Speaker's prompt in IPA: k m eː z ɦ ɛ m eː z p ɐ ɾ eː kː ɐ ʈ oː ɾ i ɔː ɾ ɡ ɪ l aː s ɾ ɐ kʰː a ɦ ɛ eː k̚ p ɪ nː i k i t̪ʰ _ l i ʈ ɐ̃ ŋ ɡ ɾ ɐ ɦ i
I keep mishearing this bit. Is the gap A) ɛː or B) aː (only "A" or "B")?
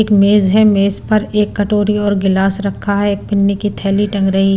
A